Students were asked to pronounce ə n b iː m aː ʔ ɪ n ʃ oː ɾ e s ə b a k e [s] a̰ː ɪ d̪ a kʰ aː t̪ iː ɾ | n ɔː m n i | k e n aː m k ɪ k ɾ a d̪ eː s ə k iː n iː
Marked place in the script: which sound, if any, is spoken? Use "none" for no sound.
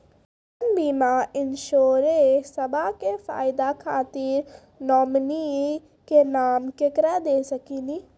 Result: f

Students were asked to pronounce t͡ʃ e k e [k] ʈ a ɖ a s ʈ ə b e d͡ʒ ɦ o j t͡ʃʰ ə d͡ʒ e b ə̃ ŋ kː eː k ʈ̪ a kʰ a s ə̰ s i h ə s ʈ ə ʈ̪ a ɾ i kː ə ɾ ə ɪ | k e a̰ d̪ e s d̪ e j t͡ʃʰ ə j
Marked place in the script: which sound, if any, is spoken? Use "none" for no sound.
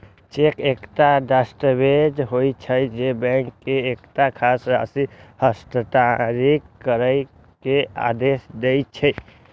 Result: k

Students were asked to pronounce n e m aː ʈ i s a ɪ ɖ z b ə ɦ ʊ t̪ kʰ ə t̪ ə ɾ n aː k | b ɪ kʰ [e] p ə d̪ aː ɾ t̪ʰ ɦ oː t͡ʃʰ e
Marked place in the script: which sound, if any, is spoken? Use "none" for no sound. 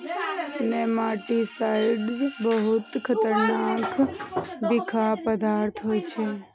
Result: a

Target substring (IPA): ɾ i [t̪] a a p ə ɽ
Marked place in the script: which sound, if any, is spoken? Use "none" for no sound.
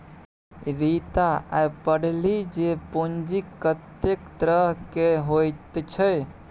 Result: t̪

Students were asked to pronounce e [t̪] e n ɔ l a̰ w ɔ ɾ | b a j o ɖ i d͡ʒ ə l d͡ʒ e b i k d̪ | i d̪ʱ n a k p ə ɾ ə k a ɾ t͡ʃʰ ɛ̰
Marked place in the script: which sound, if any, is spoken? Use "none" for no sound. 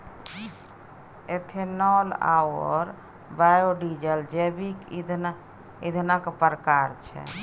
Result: t̪ʰ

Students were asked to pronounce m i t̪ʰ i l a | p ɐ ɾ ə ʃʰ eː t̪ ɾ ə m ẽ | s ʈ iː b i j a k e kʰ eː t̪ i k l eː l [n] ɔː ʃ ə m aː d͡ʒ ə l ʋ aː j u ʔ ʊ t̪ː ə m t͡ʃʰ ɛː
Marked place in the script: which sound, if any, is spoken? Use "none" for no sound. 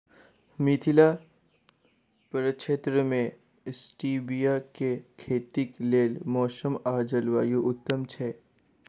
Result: m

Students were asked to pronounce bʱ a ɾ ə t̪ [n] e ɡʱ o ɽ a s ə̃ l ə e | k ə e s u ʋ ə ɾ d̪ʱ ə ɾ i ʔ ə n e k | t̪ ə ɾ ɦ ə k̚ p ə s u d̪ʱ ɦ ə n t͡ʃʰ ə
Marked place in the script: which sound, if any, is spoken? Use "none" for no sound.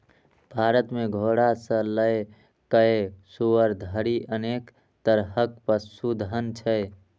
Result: m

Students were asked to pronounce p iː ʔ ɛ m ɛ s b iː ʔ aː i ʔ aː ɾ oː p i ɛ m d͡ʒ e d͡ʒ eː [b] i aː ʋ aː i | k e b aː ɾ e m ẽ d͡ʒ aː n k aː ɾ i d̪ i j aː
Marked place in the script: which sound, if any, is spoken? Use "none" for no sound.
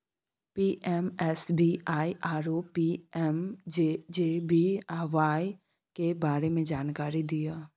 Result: b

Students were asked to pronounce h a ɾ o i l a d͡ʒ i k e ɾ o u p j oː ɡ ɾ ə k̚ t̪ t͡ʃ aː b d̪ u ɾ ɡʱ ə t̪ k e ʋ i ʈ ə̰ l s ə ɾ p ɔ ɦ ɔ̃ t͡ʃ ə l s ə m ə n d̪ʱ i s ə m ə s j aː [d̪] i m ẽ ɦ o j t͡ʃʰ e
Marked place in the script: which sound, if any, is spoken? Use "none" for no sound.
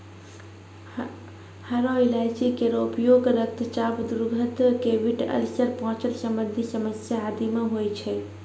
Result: d̪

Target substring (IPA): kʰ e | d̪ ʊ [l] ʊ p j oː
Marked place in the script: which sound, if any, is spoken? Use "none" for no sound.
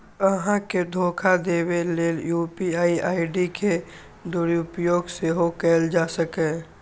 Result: ɾ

